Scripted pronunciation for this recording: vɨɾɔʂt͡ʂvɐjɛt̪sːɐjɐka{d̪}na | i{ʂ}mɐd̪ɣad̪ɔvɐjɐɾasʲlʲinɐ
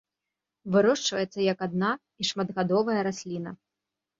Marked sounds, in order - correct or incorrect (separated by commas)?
correct, correct